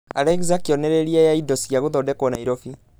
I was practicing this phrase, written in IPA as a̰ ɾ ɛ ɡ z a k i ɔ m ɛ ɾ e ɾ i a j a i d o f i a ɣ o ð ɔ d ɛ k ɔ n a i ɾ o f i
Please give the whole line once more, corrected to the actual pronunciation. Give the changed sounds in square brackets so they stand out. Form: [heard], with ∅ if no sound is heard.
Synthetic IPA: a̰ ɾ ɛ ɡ z a k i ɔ [n] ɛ ɾ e ɾ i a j a i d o [s] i a ɣ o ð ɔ d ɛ k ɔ n a i ɾ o f i

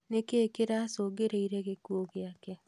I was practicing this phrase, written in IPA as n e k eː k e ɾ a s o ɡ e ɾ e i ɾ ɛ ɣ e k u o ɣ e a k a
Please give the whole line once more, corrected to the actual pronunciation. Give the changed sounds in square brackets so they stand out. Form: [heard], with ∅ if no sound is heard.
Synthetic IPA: n e k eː k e ɾ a s o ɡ e ɾ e i ɾ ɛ ɣ e k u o ɣ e a k [ɛ]

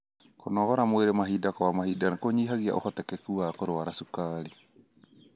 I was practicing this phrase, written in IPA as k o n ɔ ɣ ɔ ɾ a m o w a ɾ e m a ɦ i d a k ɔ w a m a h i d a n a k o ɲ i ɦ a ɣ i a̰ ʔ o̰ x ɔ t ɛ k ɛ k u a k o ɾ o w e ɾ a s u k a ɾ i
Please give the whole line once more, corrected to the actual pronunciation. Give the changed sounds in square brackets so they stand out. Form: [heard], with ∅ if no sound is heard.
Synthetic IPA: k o n ɔ ɣ ɔ ɾ a m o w [e] ɾ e m a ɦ i d a k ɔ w a m a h i d a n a k o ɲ i ɦ a ɣ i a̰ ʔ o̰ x ɔ t ɛ k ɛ k u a k o ɾ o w [a] ɾ a s u k a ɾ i

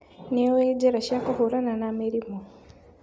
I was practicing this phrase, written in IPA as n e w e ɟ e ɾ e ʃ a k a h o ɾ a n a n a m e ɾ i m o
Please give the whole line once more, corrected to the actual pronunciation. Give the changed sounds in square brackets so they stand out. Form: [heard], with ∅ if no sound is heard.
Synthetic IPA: n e w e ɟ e ɾ [a] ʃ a k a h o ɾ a n a n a m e ɾ i m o

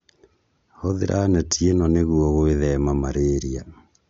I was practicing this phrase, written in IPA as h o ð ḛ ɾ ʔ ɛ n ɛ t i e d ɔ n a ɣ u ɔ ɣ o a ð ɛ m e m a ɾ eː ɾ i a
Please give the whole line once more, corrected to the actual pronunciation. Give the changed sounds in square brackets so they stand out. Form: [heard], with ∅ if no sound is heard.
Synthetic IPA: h o ð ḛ ɾ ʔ [a] n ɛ t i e [n] ɔ n [e] ɣ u ɔ ɣ o [e] ð ɛ m [a] m a ɾ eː ɾ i a

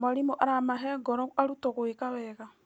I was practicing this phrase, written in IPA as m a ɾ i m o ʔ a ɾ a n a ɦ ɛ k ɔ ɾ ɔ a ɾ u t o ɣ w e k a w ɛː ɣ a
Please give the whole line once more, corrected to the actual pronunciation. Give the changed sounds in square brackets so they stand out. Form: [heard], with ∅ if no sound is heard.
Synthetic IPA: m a ɾ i m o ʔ a ɾ a [m] a ɦ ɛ [ɡ] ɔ ɾ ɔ a ɾ u t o ɣ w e k a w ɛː ɣ a

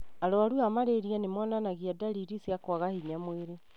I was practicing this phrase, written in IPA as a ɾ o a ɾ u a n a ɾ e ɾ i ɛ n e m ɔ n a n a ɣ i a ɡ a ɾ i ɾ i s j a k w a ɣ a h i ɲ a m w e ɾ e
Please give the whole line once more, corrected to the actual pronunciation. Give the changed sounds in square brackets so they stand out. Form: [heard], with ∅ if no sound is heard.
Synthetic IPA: a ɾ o a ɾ u a [m] a ɾ e ɾ i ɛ n e m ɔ n a n a ɣ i a [d] a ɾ i ɾ i s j a k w a ɣ a h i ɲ a m w e ɾ e

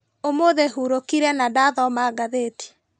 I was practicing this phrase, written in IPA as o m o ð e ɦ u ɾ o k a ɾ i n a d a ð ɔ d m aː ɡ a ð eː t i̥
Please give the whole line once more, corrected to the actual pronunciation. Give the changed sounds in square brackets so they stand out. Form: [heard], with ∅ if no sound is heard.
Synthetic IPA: o m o ð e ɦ u ɾ o k [i] ɾ [ɛ] n a d a ð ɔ [∅] m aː ɡ a ð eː t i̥

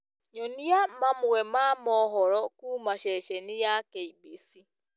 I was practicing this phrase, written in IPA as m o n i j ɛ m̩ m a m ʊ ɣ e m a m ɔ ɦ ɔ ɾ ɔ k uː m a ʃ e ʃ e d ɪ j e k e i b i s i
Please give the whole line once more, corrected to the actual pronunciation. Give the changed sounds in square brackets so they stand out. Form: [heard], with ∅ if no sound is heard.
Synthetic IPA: [ɲ] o n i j [a] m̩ m a m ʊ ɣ e m a m ɔ ɦ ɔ ɾ ɔ k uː m a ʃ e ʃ e [n] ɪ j [a] k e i b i s i

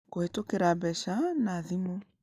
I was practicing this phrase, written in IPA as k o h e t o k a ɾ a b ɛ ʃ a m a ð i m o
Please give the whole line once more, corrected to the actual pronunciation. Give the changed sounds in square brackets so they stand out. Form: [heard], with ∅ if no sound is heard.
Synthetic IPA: k o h e t o k [e] ɾ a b ɛ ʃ a [n] a ð i m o

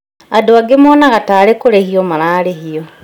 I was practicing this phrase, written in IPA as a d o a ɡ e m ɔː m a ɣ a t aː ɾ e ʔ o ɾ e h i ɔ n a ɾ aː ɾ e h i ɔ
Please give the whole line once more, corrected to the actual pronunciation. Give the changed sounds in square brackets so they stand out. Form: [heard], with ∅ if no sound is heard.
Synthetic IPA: a d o a ɡ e m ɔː [n] a ɣ a t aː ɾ e [k] o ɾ e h i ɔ [m] a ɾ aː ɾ e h i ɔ

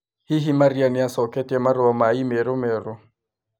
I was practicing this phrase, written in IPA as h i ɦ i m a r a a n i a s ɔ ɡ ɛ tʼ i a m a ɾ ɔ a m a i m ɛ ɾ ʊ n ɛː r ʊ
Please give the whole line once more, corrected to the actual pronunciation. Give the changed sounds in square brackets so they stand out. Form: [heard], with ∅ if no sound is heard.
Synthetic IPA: h i ɦ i m a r [i] a n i a s ɔ [k] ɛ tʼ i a m a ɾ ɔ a m a i m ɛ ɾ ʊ [m] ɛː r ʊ

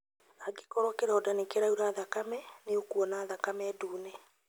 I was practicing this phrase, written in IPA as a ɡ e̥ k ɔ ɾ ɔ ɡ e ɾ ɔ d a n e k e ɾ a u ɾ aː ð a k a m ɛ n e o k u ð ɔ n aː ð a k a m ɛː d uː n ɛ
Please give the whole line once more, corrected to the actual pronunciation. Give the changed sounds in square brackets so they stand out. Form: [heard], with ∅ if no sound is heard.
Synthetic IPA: a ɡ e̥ k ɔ ɾ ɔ [k] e ɾ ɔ d a n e k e ɾ a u ɾ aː ð a k a m ɛ n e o k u [∅] ɔ n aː ð a k a m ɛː d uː n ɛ

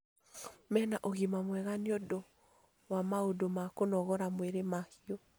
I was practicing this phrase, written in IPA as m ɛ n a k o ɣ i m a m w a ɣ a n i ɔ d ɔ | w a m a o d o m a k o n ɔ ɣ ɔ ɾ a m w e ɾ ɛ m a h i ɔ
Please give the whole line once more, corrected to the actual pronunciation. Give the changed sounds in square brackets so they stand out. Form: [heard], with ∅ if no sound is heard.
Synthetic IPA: m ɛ n a [ʔ] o ɣ i m a m w [ɛ] ɣ a n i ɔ d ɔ | w a m a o d o m a k o n ɔ ɣ ɔ ɾ a m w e ɾ [e] m a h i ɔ

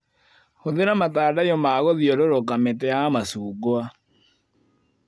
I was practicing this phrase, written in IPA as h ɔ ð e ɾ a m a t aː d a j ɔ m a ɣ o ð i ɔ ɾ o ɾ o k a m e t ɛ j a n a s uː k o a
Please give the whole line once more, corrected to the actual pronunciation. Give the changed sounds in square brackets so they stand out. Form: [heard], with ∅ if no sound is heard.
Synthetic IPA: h [o] ð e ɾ a m a t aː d a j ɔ m a ɣ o ð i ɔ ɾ o ɾ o k a m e t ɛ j a [m] a s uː [ɡ] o a

